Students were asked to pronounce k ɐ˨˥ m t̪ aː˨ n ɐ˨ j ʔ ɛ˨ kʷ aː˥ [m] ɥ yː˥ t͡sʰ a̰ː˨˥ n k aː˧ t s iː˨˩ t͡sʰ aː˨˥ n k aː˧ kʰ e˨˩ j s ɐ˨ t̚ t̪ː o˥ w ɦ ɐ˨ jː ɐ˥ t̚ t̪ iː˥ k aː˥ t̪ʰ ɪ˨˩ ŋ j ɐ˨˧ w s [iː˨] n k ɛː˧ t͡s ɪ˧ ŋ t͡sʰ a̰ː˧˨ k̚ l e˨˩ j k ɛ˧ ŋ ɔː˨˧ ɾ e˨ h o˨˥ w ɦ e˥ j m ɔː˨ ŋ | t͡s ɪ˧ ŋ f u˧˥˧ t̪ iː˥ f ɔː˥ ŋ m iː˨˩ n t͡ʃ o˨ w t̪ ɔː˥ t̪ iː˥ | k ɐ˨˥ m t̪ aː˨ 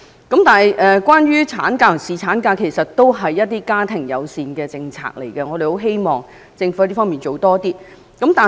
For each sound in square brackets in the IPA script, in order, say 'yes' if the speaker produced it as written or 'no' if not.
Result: no, yes

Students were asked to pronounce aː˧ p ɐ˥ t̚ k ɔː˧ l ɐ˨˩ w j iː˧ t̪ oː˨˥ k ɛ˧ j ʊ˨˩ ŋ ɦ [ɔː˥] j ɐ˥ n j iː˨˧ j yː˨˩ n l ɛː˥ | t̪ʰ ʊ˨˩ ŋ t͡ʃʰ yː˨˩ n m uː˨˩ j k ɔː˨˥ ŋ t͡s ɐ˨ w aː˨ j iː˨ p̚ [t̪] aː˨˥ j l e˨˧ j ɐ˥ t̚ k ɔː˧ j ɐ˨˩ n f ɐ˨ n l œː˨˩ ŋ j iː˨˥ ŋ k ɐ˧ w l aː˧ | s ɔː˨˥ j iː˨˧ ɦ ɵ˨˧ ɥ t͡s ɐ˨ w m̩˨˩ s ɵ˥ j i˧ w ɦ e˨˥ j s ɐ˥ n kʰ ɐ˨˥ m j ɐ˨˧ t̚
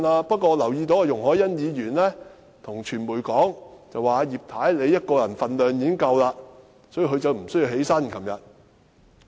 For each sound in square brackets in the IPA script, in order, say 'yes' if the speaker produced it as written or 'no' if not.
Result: no, no

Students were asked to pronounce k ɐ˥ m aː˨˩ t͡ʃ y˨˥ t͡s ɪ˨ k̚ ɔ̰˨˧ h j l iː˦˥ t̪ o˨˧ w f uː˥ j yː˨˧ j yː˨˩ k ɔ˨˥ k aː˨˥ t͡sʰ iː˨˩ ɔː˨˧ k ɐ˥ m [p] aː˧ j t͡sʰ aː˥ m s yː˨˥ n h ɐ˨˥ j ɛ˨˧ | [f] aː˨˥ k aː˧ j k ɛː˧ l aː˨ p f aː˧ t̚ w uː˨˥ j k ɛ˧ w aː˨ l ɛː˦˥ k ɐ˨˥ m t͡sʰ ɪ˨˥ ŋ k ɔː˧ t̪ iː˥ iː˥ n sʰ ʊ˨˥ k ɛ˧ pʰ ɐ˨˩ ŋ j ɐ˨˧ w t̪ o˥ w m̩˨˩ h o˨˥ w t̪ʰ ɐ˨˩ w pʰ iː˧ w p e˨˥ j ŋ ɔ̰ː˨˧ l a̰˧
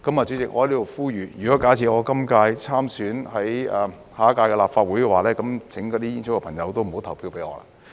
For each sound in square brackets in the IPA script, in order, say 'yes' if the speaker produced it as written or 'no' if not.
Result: no, no

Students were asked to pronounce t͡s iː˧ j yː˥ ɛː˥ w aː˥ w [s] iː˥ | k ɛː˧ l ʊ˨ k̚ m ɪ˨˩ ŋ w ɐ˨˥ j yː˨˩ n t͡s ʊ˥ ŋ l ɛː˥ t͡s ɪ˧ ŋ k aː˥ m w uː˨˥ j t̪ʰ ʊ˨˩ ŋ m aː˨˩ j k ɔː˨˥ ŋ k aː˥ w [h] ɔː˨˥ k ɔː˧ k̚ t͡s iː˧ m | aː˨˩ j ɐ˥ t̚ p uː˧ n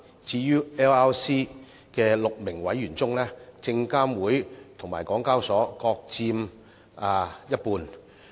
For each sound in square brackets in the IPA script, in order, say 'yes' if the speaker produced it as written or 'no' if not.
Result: yes, no

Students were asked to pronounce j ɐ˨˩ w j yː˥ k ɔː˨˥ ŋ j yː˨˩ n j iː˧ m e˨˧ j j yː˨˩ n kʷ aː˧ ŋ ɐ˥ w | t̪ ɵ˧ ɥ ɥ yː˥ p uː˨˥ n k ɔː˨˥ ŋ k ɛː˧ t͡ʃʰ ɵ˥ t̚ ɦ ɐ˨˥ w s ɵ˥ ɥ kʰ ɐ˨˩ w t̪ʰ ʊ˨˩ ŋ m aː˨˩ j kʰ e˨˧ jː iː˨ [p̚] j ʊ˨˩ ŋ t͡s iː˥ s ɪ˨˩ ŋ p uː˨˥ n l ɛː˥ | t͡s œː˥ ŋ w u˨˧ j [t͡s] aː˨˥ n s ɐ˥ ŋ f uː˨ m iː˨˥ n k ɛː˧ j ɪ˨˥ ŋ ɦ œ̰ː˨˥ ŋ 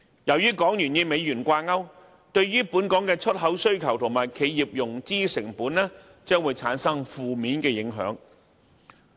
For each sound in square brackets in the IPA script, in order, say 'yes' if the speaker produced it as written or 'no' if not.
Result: yes, no

